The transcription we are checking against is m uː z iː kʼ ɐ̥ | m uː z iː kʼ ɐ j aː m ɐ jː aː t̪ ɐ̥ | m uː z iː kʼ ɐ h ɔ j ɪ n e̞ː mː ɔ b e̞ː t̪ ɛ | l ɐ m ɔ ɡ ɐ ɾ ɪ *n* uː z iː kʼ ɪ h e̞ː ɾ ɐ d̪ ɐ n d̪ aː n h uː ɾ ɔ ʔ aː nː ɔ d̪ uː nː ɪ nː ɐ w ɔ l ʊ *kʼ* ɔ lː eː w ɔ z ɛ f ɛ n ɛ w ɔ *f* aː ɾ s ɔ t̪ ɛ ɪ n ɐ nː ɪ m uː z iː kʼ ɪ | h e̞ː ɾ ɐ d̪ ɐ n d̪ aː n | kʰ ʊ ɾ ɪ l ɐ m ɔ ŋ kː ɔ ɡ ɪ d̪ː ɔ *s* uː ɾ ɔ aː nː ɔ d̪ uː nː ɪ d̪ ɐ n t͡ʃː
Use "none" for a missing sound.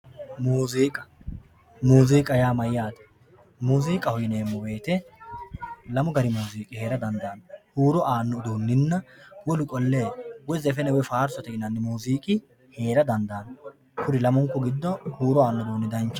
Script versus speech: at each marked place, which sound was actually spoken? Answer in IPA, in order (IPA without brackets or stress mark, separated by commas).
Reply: m, kʼ, f, h